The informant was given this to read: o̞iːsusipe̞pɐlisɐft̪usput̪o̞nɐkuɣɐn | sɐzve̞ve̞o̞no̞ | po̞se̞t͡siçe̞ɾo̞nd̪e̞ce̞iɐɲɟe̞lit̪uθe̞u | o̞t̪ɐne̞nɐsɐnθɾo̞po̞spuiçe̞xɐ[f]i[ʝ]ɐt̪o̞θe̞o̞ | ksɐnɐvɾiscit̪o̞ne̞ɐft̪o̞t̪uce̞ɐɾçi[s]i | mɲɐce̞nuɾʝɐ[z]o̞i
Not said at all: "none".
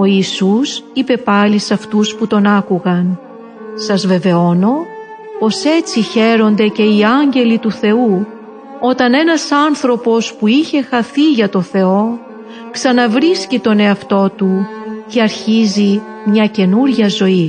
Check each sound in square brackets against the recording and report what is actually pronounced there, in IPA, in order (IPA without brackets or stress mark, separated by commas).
θ, ʝ, z, z